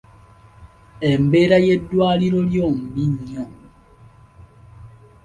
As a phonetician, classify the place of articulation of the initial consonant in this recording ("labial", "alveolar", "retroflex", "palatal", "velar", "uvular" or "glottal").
labial